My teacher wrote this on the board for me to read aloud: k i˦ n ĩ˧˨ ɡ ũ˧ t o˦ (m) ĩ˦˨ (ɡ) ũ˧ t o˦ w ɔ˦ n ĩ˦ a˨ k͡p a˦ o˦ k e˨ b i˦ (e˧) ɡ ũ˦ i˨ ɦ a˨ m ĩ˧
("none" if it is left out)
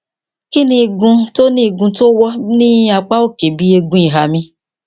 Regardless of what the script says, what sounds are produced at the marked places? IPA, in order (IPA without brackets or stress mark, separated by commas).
n, ɡ, e˧